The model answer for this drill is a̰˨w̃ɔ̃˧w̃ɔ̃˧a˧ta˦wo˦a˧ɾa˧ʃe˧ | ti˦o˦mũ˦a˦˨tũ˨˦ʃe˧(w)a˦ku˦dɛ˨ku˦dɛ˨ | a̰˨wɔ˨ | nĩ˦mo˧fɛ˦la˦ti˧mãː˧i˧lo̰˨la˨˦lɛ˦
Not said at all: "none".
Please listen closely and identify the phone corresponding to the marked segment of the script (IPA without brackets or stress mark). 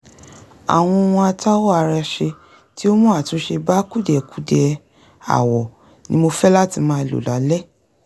b